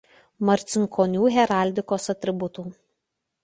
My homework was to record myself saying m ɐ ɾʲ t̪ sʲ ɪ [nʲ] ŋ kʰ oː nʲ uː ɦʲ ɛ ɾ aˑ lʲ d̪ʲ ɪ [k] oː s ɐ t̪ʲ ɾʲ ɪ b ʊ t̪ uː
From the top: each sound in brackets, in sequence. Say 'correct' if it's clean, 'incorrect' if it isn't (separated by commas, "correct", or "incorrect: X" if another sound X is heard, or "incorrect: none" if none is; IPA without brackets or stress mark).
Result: incorrect: none, correct